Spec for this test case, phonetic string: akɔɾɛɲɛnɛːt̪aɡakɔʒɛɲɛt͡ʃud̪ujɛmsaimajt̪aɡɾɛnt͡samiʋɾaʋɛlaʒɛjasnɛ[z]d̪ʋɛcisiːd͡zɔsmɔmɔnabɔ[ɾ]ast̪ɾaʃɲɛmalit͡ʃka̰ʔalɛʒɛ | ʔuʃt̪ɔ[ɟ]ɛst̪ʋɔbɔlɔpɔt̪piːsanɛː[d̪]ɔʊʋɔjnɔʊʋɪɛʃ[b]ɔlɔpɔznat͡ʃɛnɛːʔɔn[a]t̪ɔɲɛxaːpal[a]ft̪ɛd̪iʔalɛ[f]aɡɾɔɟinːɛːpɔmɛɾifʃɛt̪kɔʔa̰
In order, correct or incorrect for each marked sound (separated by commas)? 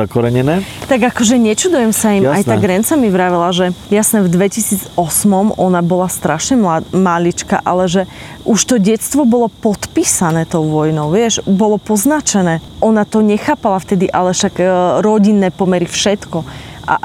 incorrect, incorrect, correct, incorrect, correct, correct, correct, incorrect